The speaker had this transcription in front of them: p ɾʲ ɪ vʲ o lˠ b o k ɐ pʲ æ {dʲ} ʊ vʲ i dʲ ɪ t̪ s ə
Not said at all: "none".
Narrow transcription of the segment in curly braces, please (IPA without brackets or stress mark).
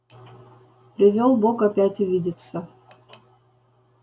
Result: tʲ